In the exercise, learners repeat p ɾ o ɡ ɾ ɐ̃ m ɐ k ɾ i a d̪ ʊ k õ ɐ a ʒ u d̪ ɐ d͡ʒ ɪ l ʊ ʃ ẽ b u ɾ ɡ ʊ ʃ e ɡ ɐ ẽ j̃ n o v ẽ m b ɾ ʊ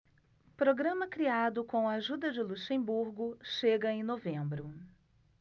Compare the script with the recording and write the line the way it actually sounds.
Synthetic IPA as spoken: p ɾ o ɡ ɾ ɐ̃ m ɐ k ɾ i a d̪ ʊ k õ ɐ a ʒ u d̪ ɐ d͡ʒ ɪ l u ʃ ẽ b u ɾ ɡ ʊ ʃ e ɡ ɐ ẽ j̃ n o v ẽ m b ɾ ʊ

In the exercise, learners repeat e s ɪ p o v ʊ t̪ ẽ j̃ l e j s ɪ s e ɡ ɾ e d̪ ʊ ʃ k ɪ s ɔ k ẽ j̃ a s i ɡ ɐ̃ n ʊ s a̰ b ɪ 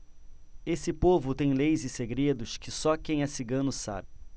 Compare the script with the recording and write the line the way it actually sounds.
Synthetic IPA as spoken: e s ɪ p o v ʊ t̪ ẽ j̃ l e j z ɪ s e ɡ ɾ e d̪ ʊ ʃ k ɪ s ɔ k ẽ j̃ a s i ɡ ɐ̃ n ʊ s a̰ b ɪ

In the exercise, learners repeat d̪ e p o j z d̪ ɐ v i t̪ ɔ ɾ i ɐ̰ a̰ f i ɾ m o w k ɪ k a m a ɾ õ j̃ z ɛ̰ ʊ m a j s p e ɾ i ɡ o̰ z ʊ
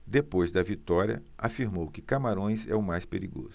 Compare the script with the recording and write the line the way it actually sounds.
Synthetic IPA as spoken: d̪ e p o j z d̪ ɐ v i t̪ ɔ ɾ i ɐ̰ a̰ f i ɾ m o w k ɪ k a m a ɾ õ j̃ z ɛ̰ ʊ m a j s p e ɾ i ɡ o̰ z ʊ

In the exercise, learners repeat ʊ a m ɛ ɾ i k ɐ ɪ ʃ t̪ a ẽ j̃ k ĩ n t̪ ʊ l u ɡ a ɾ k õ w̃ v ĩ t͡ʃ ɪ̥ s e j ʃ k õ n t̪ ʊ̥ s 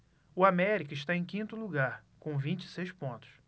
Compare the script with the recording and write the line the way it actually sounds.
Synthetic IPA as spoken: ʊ a m ɛ ɾ i k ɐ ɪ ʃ t̪ a ẽ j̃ k ĩ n t̪ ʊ l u ɡ a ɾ k õ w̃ v ĩ t͡ʃ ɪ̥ s e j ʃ p õ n t̪ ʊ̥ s

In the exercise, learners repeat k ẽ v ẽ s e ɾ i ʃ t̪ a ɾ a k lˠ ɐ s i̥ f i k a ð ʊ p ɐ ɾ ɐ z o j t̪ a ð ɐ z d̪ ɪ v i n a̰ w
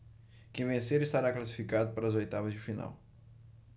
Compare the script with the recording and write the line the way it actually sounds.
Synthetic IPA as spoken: k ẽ v ẽ s e ɾ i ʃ t̪ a ɾ a k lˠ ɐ s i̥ f i k a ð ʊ p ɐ ɾ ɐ z o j t̪ a v ɐ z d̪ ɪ f i n a̰ w

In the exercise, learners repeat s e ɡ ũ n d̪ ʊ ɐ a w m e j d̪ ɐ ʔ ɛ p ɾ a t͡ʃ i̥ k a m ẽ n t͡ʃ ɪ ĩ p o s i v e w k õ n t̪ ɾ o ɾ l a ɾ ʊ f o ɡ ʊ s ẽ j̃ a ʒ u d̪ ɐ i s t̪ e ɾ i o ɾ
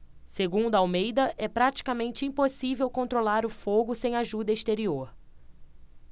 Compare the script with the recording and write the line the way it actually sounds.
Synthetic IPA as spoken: s e ɡ ũ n d̪ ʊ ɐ a w m e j d̪ ɐ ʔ ɛ p ɾ a t͡ʃ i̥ k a m ẽ n t͡ʃ ɪ ĩ p o s i v e w k õ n t̪ ɾ o l a ɾ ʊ f o ɡ ʊ s ẽ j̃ a ʒ u d̪ ɐ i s t̪ e ɾ i o ɾ

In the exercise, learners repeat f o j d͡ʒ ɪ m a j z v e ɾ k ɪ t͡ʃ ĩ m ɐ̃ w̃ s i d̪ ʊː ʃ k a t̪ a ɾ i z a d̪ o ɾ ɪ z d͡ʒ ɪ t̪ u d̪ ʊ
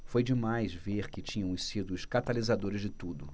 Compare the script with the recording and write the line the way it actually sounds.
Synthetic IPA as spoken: f o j d͡ʒ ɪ m a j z v e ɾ k ɪ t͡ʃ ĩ ɲ ɐ̃ w̃ s i d̪ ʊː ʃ k a t̪ a l i z a d̪ o ɾ ɪ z d͡ʒ ɪ t̪ u d̪ ʊ

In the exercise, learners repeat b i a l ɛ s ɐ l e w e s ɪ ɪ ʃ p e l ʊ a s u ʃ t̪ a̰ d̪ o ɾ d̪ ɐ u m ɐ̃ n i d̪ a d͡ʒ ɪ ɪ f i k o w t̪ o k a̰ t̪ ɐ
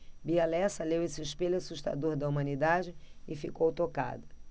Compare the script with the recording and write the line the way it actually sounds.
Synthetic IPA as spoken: b i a l ɛ s ɐ l e w e s ɪ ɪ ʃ p e l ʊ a s u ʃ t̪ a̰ d̪ o ɾ d̪ ɐ u m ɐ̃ n i d̪ a d͡ʒ ɪ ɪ f i k o w t̪ o k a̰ d̪ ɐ

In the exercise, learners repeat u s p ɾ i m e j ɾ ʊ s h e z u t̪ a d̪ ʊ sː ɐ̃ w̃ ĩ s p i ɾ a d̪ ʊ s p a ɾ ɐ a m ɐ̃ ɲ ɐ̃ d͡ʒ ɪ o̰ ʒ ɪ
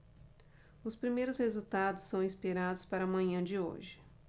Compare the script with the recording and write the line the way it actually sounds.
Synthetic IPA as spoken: ʊ s p ɾ i m e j ɾ ʊ s h e z u t̪ a d̪ ʊ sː ɐ̃ w̃ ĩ s p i ɾ a d̪ ʊ s p a ɾ ɐ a m ɐ̃ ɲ ɐ̃ d͡ʒ ɪ o̰ ʒ ɪ

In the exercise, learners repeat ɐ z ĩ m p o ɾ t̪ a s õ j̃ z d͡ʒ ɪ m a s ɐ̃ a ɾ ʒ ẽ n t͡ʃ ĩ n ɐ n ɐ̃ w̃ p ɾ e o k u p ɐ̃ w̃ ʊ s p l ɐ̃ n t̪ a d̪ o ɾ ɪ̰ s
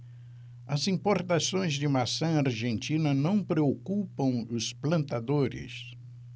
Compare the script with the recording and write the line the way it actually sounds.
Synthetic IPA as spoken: ɐ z ĩ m p o ɾ t̪ a s õ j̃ z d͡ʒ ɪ m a s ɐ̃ a ɾ ʒ ẽ n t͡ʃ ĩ n ɐ n ɐ̃ w̃ p ɾ e o k u p ɐ̃ w̃ ʊ s p l ɐ̃ n t̪ a d̪ o ɾ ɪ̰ s

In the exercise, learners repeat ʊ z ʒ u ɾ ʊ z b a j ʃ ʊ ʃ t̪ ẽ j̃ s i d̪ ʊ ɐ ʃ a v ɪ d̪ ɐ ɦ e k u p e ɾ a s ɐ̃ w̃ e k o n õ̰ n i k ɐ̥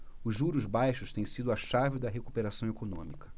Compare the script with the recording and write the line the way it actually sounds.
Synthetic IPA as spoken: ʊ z ʒ u ɾ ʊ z b a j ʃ ʊ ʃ t̪ ẽ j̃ s i d̪ ʊ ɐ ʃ a v ɪ d̪ ɐ ɦ e k u p e ɾ a s ɐ̃ w̃ e k o n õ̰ m i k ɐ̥

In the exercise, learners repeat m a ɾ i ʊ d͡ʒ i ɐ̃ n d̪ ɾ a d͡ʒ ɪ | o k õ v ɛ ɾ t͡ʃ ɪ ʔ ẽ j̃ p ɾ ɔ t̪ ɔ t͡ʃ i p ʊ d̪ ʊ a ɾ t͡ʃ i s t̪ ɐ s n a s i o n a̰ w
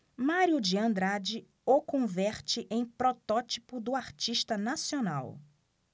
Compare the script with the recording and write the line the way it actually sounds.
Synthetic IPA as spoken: m a ɾ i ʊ d͡ʒ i ɐ̃ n d̪ ɾ a d͡ʒ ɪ | o k õ v ɛ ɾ t͡ʃ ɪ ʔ ẽ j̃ p ɾ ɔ t̪ ɔ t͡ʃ i p ʊ d̪ ʊ a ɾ t͡ʃ i ʃ t̪ ɐ n a s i o n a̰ w

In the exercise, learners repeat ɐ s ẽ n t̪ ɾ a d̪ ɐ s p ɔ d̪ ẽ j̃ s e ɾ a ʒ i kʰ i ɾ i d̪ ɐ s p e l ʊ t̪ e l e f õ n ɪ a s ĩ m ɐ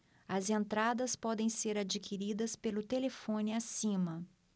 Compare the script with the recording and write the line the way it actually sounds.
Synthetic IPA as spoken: ɐ z ẽ n t̪ ɾ a d̪ ɐ s p ɔ d̪ ẽ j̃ s e ɾ a d͡ʒ i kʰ i ɾ i d̪ ɐ s p e l ʊ t̪ e l e f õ n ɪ a s ĩ m ɐ

